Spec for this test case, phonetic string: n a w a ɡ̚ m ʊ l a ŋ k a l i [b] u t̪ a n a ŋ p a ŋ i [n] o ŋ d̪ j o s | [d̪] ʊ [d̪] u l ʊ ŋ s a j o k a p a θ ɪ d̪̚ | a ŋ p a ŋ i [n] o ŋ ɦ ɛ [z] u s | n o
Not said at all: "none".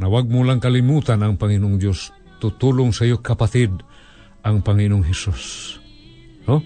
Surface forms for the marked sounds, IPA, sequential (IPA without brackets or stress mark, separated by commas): m, n, t̪, t̪, n, s